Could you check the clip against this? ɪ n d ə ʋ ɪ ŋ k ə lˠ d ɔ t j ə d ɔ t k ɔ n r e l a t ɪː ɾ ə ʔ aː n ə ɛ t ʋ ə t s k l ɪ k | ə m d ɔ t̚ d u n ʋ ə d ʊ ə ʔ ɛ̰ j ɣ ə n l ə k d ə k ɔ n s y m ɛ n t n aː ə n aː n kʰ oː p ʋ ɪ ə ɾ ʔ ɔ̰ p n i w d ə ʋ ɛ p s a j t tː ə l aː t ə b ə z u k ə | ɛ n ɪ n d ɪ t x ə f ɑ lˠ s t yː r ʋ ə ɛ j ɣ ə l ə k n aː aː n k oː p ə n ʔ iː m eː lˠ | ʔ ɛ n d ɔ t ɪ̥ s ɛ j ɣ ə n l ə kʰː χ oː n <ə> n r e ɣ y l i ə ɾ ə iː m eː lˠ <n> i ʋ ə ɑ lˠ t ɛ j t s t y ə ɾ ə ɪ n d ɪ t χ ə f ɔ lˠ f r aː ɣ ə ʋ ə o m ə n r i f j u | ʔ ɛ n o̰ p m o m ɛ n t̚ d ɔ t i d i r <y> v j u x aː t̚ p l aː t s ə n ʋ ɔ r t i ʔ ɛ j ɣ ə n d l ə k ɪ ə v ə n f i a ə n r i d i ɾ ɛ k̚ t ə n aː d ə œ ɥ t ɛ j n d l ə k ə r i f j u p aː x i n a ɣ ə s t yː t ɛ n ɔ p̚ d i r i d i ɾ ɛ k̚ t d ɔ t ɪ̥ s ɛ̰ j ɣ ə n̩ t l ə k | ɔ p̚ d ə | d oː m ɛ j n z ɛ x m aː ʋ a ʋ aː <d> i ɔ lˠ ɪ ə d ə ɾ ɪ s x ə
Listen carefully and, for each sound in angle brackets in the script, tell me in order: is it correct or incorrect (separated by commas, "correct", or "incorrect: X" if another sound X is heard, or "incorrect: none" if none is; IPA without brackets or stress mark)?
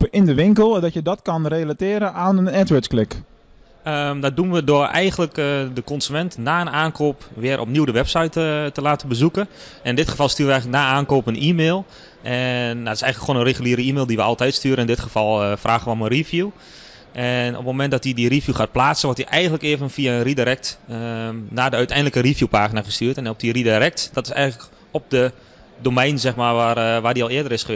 correct, incorrect: d, incorrect: i, correct